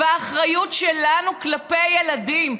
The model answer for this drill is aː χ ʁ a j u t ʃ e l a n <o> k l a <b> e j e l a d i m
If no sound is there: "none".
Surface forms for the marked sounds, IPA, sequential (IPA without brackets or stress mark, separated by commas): u, p